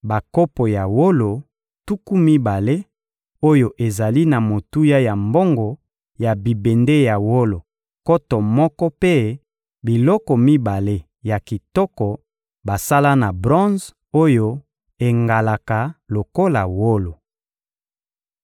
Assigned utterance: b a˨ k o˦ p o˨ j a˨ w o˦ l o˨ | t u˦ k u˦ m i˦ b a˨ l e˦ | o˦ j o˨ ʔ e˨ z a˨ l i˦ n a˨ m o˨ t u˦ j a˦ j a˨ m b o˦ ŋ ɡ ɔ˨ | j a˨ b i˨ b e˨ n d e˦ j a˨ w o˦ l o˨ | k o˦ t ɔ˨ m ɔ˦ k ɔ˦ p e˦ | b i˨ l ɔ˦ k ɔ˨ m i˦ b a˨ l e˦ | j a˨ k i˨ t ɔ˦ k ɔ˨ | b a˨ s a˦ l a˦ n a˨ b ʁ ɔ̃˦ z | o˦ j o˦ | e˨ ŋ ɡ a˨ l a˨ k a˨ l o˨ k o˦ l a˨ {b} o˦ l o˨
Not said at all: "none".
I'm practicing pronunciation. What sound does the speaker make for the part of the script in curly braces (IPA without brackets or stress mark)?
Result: w